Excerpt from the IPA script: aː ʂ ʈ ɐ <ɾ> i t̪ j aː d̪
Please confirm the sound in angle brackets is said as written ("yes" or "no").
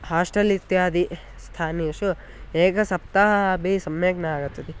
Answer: no